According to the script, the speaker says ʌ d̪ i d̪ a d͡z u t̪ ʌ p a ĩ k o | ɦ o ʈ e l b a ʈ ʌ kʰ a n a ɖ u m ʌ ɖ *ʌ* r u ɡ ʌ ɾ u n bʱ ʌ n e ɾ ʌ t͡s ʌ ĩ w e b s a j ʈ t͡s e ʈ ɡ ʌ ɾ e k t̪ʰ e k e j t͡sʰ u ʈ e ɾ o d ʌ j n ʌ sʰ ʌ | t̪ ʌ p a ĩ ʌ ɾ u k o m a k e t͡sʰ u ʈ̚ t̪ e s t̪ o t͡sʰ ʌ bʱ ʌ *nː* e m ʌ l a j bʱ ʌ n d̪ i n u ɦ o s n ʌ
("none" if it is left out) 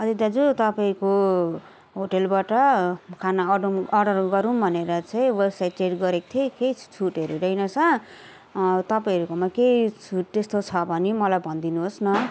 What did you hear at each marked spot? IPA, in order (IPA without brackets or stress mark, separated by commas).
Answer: ʌ, n